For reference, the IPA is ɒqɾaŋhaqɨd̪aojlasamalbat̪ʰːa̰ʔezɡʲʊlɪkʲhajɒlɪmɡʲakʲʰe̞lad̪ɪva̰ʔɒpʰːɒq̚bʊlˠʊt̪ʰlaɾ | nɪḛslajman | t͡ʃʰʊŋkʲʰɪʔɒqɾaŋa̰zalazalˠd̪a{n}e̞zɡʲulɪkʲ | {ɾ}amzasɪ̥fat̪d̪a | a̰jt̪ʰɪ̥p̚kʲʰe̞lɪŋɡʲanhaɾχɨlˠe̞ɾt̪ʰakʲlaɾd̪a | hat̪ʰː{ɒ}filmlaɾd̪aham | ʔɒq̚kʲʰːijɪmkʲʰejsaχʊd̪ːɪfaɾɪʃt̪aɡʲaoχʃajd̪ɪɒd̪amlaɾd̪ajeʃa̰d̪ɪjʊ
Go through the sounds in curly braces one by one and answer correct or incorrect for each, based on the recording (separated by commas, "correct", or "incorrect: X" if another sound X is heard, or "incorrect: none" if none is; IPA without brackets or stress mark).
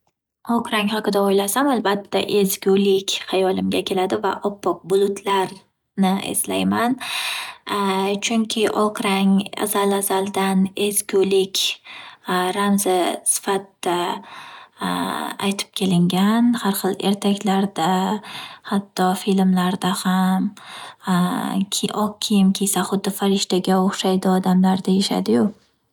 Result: correct, correct, correct